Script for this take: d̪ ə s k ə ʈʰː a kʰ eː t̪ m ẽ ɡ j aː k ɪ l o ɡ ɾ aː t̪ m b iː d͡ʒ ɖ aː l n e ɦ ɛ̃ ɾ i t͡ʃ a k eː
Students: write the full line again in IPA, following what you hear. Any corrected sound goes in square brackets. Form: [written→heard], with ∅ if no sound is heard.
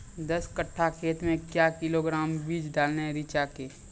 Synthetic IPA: d̪ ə s k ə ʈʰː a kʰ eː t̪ m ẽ [ɡ→k] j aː k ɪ l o ɡ ɾ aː [t̪→∅] m b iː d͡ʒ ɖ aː l n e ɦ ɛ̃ ɾ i t͡ʃ a k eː